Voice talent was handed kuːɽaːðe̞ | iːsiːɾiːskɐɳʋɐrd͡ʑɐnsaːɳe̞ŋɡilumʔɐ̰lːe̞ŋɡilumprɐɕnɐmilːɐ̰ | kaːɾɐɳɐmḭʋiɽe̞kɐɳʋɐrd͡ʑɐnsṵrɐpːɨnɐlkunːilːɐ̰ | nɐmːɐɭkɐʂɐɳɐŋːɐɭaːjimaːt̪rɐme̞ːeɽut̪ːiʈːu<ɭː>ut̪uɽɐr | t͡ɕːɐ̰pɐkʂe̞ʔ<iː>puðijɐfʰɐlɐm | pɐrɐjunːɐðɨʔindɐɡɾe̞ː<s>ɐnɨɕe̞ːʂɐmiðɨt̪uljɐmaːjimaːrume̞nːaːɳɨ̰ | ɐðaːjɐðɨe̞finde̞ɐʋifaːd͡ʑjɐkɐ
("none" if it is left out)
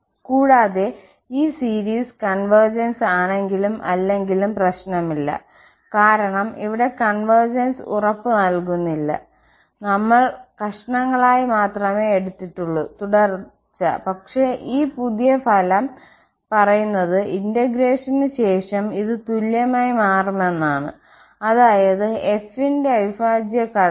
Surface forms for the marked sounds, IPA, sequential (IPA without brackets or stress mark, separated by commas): ɭː, iː, ʂ